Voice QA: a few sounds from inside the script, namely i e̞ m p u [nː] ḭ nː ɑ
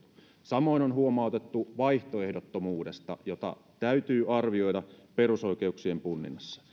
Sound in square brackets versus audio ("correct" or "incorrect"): correct